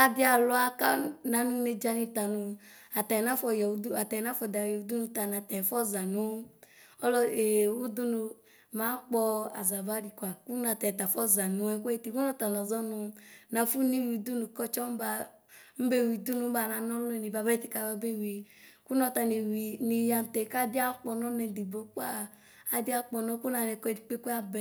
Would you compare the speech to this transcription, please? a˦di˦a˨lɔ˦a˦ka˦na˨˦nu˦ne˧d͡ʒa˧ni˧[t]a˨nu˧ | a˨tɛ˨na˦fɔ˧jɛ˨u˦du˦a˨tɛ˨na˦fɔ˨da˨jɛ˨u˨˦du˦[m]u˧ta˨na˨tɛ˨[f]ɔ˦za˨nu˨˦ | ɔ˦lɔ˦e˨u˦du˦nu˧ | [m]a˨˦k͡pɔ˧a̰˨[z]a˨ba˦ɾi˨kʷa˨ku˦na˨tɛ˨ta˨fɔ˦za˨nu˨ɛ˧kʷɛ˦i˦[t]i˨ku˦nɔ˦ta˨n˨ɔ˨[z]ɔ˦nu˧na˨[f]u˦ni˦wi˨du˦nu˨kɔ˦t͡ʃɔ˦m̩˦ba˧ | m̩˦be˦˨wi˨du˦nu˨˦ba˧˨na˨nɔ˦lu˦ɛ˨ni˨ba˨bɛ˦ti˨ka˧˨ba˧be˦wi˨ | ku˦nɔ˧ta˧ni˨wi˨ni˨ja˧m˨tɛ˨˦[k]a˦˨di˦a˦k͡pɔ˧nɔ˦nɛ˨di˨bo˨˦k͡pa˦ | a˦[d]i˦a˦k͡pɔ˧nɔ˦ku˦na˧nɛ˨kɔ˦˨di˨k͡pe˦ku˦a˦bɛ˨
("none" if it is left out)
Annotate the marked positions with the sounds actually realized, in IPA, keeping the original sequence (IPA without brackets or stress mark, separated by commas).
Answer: t, n, f, m, z, t, z, f, k, d